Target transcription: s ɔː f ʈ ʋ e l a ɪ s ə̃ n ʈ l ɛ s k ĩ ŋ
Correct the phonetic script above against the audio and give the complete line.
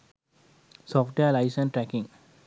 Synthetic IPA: s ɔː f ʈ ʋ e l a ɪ s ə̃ n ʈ ɾ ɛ k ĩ ŋ